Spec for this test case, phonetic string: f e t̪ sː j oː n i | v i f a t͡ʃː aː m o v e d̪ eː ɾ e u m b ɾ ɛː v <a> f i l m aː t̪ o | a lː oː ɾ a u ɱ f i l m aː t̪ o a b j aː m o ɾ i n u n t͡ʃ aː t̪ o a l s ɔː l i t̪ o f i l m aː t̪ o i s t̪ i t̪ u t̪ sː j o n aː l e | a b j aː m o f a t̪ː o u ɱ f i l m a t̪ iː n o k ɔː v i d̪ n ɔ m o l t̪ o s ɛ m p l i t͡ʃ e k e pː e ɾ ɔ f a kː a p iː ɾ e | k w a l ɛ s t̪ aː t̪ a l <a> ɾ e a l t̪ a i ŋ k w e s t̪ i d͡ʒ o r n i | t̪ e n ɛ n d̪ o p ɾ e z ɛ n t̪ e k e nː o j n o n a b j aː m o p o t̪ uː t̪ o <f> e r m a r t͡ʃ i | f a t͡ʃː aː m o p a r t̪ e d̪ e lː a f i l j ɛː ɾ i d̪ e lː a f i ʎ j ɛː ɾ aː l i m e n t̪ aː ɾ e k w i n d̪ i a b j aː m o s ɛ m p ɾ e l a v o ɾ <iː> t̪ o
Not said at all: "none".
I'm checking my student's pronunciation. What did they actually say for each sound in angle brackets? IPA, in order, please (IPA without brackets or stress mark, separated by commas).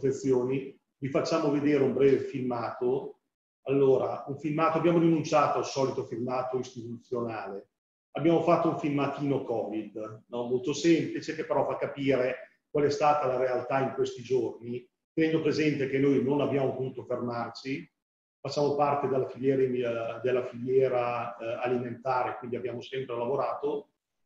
e, a, f, aː